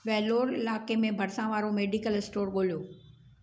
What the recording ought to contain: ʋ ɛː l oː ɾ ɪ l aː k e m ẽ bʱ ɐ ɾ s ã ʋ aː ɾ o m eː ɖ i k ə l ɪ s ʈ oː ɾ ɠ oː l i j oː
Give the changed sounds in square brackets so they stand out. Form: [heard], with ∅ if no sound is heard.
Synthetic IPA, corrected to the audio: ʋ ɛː l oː ɾ ɪ l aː k e m ẽ bʱ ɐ ɾ s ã ʋ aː ɾ o m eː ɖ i k ə l ɪ s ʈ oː ɾ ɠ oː l i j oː